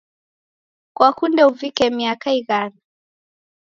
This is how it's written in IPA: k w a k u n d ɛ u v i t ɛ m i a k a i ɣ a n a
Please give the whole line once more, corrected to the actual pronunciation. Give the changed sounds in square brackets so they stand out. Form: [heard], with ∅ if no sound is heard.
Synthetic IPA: k w a k u n d ɛ u v i [k] ɛ m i a k a i ɣ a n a